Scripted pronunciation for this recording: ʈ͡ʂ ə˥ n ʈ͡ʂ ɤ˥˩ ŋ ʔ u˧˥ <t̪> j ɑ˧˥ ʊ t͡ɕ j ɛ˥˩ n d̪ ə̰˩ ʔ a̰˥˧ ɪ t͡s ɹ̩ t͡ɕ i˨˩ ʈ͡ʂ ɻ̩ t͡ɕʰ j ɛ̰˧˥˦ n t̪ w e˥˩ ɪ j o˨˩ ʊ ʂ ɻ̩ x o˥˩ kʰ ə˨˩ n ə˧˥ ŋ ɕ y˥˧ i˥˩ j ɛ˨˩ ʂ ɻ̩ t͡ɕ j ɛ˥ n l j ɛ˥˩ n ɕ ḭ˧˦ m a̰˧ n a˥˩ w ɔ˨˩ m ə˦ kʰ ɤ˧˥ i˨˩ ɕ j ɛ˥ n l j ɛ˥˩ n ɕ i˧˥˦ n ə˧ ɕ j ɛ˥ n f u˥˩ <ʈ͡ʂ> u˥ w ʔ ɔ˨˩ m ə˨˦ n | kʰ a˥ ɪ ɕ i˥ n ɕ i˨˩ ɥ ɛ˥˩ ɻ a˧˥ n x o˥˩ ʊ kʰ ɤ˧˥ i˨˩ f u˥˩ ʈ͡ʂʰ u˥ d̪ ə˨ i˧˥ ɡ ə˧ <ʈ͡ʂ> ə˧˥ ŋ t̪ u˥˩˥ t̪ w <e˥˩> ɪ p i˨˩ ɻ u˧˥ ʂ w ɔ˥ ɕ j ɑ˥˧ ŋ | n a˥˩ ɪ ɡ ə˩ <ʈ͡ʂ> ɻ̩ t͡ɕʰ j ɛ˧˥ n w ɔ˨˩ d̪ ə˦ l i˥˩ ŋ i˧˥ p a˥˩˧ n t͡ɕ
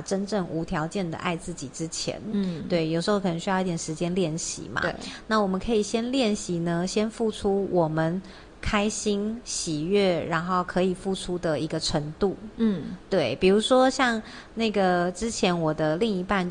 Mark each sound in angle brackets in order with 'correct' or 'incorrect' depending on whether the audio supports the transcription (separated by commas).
incorrect, incorrect, incorrect, correct, correct